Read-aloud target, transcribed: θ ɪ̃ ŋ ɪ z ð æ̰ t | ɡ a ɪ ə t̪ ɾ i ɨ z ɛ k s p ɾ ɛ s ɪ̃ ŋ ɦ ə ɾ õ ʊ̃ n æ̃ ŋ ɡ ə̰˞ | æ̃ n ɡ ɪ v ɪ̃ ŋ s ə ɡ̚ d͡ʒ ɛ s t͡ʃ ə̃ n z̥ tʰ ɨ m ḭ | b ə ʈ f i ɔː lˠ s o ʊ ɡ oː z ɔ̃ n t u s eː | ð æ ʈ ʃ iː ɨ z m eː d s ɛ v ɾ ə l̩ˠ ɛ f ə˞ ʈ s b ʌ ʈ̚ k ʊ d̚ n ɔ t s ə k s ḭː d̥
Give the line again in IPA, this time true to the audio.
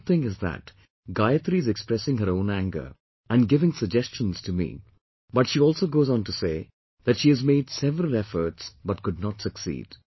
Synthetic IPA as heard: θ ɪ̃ ŋ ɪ z ð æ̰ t | ɡ a ɪ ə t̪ ɾ i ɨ z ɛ k s p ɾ ɛ s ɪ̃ ŋ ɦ ə ɾ õ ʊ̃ n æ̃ ŋ ɡ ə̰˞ | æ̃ n ɡ ɪ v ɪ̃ ŋ s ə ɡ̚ d͡ʒ ɛ s t͡ʃ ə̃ n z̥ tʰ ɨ m ḭ | b ʌ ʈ ʃ i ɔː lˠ s o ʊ ɡ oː z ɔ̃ n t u s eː | ð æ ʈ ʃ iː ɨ z m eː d s ɛ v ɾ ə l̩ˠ ɛ f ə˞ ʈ s b ʌ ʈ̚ k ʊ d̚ n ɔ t s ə k s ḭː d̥

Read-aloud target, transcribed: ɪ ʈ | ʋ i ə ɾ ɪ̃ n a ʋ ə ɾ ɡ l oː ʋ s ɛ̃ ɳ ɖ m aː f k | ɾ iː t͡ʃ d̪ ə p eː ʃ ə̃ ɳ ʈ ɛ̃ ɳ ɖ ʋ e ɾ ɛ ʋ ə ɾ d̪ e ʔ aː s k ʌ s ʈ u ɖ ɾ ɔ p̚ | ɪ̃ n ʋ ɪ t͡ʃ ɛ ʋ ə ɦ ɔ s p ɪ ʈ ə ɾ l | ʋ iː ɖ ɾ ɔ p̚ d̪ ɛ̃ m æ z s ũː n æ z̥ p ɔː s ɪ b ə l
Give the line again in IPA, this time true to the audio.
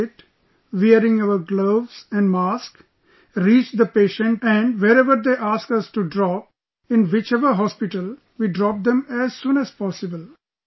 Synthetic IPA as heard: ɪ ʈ | ʋ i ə ɾ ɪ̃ ŋ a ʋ ə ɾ ɡ l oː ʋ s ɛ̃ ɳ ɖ m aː s k | ɾ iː t͡ʃ d̪ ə p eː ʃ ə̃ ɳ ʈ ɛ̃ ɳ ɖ ʋ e ɾ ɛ ʋ ə ɾ d̪ e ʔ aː s k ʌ s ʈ u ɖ ɾ ɔ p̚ | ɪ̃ n ʋ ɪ t͡ʃ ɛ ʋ ə ɦ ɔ s p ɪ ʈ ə l | ʋ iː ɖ ɾ ɔ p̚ d̪ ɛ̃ m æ z s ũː n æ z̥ p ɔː s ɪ b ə l

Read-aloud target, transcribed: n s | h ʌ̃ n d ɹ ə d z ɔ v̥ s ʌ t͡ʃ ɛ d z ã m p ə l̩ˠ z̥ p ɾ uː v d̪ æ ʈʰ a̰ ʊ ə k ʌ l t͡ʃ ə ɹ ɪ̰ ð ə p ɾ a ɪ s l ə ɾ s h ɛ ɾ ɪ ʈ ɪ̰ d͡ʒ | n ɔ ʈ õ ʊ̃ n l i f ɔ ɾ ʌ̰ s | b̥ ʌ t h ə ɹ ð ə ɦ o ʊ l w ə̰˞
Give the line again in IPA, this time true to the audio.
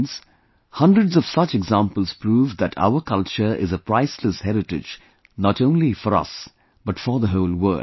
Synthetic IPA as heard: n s | h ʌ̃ n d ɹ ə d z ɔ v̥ s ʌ t͡ʃ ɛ ɡ z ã m p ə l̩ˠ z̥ p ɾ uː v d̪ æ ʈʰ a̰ ʊ ə k ʌ l t͡ʃ ə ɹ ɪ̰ z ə p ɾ a ɪ s l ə s h ɛ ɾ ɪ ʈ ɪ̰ d͡ʒ | n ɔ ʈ õ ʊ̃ n l i f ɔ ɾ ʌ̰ s | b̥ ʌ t f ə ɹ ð ə ɦ o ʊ l w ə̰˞

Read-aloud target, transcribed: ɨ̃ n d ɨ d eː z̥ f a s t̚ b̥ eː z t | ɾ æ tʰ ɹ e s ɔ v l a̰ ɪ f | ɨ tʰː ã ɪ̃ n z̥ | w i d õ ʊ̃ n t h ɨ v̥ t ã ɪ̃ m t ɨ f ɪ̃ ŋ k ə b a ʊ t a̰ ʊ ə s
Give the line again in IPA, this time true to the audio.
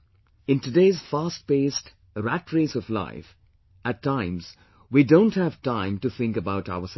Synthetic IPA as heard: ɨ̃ n t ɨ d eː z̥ f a s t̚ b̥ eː s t | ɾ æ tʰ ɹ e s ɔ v l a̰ ɪ f | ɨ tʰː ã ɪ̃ m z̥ | w i d õ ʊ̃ n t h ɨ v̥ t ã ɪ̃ m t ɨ θ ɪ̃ ŋ k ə b a ʊ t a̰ ʊ ə s

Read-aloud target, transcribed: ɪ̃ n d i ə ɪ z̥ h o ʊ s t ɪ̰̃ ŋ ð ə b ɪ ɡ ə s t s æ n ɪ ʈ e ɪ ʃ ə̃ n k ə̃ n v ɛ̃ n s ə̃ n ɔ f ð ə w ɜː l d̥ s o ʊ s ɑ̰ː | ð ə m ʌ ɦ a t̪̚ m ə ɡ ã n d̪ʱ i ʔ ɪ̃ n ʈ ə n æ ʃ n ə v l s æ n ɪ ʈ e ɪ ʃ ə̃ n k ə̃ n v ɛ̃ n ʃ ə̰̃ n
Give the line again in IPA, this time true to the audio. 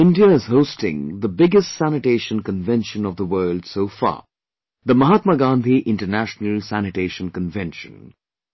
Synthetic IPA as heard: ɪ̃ n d i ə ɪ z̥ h o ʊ s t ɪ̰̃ ŋ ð ə b ɪ ɡ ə s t s æ n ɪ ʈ e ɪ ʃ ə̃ n k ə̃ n v ɛ̃ n ʃ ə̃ n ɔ v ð ə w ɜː l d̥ s o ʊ f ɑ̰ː | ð ə m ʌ ɦ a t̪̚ m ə ɡ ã n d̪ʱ i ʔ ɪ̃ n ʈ ə n æ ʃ n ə l s æ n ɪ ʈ e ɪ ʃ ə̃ n k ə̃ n v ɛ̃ n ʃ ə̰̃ n

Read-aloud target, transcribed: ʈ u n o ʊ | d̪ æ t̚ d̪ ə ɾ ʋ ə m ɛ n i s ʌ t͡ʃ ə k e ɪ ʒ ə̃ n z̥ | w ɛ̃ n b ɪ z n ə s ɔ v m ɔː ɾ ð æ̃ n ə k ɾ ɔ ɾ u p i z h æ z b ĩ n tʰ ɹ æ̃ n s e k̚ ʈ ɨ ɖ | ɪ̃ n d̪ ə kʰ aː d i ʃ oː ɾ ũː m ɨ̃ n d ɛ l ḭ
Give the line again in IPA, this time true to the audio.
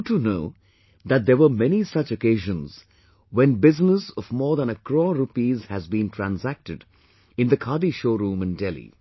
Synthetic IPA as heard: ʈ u n o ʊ | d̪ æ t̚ d̪ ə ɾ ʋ ə m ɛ n i s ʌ t͡ʃ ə k e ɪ ʒ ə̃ n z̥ | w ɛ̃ n b ɪ z n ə s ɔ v m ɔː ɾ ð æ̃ n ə k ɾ ɔ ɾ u p i z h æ z b ĩ n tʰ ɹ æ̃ n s æ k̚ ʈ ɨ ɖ | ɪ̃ n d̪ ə kʰ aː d i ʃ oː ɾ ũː m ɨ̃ n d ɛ l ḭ

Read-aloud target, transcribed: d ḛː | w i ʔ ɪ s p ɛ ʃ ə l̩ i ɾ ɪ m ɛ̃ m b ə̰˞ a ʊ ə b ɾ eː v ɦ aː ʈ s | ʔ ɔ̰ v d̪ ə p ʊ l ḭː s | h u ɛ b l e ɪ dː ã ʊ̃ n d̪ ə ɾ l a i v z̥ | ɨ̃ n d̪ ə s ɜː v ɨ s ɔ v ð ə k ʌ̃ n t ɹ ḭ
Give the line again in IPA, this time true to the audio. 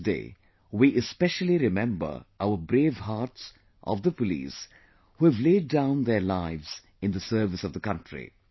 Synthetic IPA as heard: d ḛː | w i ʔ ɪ s p ɛ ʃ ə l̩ i ɾ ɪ m ɛ̃ m b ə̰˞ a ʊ ə b ɾ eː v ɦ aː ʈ s | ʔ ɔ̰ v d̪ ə p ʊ l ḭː s | h u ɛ v l e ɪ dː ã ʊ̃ n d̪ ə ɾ l a ɪ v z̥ | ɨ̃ n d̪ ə s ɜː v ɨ s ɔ v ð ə k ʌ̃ n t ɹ ḭ

